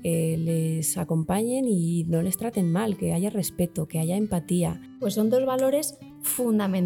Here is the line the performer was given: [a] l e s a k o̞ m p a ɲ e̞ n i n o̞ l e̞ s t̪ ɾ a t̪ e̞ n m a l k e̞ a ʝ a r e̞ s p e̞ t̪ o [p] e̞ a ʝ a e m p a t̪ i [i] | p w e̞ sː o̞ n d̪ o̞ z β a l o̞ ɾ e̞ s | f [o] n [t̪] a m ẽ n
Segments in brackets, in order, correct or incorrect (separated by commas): incorrect, incorrect, incorrect, incorrect, incorrect